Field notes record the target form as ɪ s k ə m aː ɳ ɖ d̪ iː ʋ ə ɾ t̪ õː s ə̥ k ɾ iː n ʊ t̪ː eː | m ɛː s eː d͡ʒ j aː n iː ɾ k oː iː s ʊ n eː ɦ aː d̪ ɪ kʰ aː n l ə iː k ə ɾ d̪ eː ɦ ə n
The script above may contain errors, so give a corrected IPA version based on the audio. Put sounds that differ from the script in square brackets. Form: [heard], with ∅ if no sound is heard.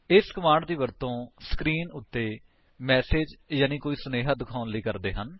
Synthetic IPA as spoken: ɪ s k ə m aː ɳ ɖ d̪ iː ʋ ə ɾ t̪ õː s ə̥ k ɾ iː n ʊ t̪ː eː | m ɛː s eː d͡ʒ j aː n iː [∅] k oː iː s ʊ n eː ɦ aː d̪ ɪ kʰ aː n l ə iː k ə ɾ d̪ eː ɦ ə n

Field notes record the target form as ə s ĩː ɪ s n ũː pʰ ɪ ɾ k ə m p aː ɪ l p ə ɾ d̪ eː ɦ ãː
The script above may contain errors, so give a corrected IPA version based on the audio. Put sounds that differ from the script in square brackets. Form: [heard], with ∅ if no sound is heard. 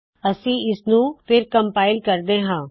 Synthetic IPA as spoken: ə s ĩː ɪ s n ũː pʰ ɪ ɾ k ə m p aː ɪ l [k] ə ɾ d̪ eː ɦ ãː

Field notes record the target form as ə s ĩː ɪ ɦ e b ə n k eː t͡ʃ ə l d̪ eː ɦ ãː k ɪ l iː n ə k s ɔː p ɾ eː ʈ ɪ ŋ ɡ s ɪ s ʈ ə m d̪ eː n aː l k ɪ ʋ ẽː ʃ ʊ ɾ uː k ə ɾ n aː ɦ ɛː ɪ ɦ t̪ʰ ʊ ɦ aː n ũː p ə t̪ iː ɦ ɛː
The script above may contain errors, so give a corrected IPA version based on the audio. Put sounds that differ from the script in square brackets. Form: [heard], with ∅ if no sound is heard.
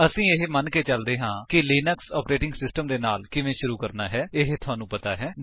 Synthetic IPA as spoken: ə s ĩː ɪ ɦ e [m] ə n k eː t͡ʃ ə l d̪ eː ɦ ãː k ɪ l iː n ə k s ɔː p ɾ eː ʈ ɪ ŋ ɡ s ɪ s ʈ ə m d̪ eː n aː l k ɪ ʋ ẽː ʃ ʊ ɾ uː k ə ɾ n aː ɦ ɛː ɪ ɦ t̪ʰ ʊ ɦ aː n ũː p ə t̪ [aː] ɦ ɛː

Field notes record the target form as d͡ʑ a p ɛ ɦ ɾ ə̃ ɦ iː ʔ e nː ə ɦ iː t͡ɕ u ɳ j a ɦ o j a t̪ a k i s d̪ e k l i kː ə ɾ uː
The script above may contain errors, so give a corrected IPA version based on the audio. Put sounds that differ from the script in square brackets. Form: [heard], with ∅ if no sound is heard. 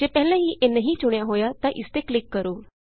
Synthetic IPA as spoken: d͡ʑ [e] p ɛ ɦ [l] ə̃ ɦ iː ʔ e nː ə ɦ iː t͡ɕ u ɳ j a ɦ o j a t̪ a [ʔ] i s [t̪] e k l i kː ə ɾ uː

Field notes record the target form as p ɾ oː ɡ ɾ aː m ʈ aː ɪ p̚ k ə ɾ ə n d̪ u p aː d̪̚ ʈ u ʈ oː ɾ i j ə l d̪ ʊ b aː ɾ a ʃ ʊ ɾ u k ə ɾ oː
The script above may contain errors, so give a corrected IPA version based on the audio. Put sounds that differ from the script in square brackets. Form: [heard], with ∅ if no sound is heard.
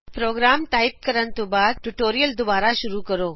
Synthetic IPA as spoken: p ɾ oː ɡ ɾ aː m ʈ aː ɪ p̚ k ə ɾ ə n [t̪] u [b] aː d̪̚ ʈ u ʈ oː ɾ i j ə l d̪ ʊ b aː ɾ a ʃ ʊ ɾ u k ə ɾ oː

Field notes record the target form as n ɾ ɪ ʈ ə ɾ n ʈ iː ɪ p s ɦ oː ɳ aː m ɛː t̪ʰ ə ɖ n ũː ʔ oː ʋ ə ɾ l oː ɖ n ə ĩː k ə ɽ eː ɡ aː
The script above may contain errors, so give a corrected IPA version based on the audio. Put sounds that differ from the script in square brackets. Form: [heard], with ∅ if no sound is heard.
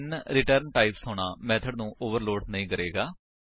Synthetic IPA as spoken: n ɾ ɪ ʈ ə ɾ n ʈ [aː] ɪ p s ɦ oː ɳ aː m ɛː t̪ʰ ə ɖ n ũː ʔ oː ʋ ə ɾ l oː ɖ n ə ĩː k ə [ɾ] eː ɡ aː

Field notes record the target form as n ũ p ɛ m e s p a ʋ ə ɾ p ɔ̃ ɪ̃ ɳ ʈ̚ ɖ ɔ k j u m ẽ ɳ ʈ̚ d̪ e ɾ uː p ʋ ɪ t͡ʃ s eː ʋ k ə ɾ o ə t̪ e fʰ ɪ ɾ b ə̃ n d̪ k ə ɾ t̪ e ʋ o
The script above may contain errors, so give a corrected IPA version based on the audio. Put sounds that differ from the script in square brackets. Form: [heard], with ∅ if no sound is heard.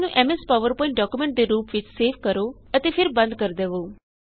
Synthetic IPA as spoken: n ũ [ʔ] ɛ m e s p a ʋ ə ɾ p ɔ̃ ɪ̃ ɳ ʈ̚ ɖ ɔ k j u m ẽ ɳ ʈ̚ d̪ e ɾ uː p ʋ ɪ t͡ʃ s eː ʋ k ə ɾ o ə t̪ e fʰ ɪ ɾ b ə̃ n d̪ k ə ɾ [d̪] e ʋ o

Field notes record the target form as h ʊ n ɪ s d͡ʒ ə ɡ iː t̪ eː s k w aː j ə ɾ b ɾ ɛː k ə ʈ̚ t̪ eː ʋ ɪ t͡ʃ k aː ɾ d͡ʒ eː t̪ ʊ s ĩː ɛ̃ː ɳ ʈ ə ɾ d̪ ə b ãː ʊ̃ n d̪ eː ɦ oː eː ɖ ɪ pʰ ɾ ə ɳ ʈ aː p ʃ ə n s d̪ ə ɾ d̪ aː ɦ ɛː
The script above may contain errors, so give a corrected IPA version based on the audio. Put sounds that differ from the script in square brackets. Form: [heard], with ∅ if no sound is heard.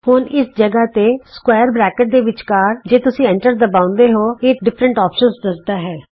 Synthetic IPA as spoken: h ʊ n ɪ s d͡ʒ ə ɡ [aː] t̪ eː s k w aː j ə ɾ b ɾ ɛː k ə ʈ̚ [d̪] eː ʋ ɪ t͡ʃ k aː ɾ d͡ʒ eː t̪ ʊ s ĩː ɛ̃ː ɳ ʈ ə ɾ d̪ ə b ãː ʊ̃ n d̪ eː ɦ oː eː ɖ ɪ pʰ ɾ ə ɳ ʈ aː p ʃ ə n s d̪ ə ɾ d̪ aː ɦ ɛː

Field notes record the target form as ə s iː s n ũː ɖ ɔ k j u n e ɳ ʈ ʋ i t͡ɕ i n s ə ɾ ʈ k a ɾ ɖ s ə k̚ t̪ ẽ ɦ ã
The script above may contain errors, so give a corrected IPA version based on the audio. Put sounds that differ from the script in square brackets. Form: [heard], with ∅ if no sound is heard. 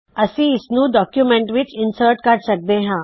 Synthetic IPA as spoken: ə s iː s n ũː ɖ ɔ k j u [m] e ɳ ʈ ʋ i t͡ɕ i n s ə ɾ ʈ k a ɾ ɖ s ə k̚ [d̪] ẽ ɦ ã

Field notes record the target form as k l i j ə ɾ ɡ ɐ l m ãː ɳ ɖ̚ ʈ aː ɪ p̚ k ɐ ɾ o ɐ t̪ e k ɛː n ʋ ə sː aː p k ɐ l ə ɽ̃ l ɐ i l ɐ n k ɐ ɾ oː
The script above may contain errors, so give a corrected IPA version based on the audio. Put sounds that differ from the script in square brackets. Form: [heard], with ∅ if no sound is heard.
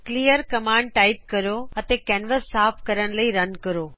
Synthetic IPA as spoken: k l i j ə ɾ [k] ɐ [∅] m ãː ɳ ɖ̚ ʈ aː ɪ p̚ k ɐ ɾ o ɐ t̪ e k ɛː n ʋ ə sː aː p k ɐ [ɾ] ə ɽ̃ l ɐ i [ɾ] ɐ n k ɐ ɾ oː

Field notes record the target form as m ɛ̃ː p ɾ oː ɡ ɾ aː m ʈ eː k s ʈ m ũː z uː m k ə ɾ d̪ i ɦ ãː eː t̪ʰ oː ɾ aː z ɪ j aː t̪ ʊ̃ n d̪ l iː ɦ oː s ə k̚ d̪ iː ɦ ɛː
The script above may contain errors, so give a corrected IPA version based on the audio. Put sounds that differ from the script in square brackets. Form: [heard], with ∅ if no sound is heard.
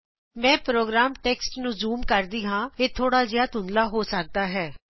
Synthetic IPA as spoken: m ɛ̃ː p ɾ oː ɡ ɾ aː m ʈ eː k s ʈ [n] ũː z uː m k ə ɾ d̪ [iː] ɦ ãː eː t̪ʰ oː [ɽ] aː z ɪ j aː t̪ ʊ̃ n d̪ l [aː] ɦ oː s ə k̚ d̪ [aː] ɦ ɛː

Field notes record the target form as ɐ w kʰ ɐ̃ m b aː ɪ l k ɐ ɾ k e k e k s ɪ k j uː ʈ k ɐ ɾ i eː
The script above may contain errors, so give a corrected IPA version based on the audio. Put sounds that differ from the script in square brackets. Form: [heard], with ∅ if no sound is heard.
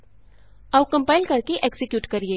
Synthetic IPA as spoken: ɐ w [k] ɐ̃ m [p] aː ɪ l k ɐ ɾ k e [ʔ] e k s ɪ k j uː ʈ k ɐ ɾ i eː

